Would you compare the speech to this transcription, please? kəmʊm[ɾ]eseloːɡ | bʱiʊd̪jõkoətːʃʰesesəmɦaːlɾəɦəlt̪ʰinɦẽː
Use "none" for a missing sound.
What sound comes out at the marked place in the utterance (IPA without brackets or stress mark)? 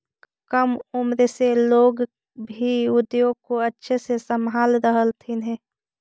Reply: ɾ